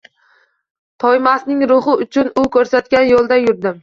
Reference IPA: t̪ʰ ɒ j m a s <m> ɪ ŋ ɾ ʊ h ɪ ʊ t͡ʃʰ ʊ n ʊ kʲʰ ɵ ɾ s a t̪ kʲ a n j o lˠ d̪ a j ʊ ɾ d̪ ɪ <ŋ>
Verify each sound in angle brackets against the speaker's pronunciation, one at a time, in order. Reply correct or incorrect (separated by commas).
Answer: incorrect, incorrect